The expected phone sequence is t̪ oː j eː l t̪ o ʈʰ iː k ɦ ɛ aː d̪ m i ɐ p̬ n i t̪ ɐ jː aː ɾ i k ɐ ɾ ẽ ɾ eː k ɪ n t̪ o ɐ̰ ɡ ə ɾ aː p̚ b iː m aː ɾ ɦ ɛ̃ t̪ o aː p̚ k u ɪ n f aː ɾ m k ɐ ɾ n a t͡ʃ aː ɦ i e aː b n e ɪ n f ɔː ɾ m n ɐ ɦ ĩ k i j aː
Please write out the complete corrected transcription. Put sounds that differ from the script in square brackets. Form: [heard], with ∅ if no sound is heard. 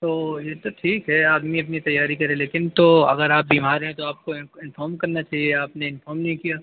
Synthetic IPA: t̪ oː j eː [∅] t̪ o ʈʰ iː k ɦ ɛ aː d̪ m i ɐ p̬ n i t̪ ɐ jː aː ɾ i k ɐ ɾ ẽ [l] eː k ɪ n t̪ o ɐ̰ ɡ ə ɾ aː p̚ b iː m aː ɾ ɦ ɛ̃ t̪ o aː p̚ k [o] ɪ n f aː ɾ m k ɐ ɾ n a t͡ʃ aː ɦ i e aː [p] n e ɪ n f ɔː ɾ m n ɐ ɦ ĩ k i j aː